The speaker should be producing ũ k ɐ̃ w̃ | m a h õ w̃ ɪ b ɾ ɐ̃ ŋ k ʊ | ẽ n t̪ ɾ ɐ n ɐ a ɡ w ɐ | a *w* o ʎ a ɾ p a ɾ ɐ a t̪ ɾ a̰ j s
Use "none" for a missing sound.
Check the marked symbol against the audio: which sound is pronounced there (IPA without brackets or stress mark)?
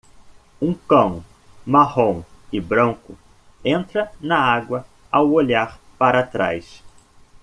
w